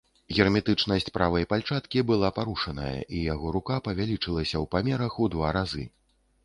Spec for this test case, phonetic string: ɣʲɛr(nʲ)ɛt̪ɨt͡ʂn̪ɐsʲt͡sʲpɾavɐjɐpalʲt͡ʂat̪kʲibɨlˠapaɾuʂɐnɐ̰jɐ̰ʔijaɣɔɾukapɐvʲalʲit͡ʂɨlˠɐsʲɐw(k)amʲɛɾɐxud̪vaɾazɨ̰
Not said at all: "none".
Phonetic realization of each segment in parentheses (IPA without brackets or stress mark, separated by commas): mʲ, p